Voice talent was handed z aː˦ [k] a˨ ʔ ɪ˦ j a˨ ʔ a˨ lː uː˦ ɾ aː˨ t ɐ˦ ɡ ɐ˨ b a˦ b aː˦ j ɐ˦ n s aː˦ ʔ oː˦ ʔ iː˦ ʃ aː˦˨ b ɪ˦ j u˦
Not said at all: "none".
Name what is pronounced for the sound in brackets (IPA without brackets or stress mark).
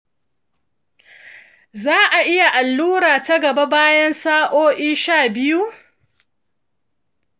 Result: ʔ